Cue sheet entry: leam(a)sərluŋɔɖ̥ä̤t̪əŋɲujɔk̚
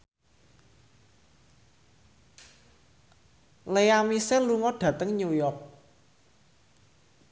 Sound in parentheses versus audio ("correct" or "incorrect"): incorrect